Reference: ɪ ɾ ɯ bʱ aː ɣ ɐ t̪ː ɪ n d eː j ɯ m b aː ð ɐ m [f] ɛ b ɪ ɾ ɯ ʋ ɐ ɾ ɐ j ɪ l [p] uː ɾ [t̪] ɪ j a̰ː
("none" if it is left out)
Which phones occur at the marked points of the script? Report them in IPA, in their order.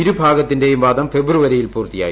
f, p, t̪

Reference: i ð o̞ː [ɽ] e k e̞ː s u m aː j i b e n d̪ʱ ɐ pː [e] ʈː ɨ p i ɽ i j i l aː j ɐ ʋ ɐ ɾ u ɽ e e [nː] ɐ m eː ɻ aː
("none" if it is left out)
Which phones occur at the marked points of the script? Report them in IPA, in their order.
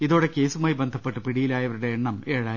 ɽ, e, ɳː

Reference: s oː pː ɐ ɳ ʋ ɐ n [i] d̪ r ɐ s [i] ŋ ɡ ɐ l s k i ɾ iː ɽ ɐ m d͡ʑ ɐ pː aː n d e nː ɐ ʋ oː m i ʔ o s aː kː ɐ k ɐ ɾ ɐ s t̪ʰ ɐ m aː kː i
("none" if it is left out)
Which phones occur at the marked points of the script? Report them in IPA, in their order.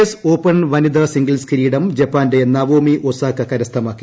i, i

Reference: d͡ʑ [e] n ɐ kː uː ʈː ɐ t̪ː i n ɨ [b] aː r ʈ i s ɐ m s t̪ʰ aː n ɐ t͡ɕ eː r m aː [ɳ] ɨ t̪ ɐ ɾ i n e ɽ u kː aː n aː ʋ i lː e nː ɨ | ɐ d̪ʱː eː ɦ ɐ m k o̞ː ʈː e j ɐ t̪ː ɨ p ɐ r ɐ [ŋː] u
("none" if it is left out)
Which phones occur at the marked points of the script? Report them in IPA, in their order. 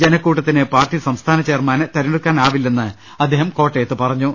e, p, n, ɲː

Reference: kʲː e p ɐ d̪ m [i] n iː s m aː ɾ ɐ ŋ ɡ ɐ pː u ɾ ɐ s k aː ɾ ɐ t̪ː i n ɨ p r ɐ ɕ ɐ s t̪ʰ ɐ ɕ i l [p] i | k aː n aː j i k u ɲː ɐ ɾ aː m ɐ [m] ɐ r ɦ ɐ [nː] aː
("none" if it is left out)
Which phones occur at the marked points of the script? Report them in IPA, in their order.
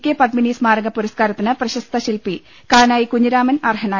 i, p, n, n

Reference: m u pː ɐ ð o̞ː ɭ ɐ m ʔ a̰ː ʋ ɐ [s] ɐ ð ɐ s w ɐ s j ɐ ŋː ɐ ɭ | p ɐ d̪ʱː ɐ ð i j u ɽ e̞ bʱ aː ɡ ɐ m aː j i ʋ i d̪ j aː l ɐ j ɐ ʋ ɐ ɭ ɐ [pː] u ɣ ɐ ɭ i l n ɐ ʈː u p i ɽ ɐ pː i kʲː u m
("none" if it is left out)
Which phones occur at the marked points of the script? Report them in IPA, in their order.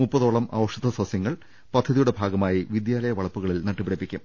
ʂ, pː

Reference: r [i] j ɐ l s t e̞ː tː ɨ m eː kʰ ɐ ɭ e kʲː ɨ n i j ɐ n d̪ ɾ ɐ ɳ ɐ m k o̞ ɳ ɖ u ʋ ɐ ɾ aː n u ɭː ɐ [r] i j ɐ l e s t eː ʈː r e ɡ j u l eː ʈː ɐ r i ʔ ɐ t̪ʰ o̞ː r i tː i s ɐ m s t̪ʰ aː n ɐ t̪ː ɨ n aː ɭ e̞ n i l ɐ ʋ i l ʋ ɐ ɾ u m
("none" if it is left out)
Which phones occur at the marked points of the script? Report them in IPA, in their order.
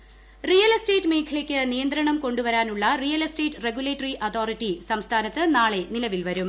i, r

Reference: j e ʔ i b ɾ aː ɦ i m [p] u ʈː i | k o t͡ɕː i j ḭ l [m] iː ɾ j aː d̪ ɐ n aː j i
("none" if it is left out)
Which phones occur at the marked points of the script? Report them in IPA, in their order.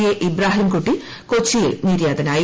k, n

